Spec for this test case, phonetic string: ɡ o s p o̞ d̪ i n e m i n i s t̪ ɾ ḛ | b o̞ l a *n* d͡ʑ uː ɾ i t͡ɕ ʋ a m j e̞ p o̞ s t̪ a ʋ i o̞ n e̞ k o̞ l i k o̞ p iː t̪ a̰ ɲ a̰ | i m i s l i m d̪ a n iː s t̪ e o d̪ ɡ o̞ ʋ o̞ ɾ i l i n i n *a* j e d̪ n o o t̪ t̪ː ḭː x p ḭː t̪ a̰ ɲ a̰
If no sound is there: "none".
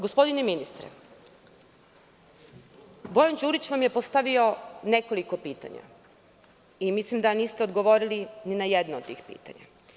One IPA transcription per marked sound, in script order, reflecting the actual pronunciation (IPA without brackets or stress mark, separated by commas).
n, a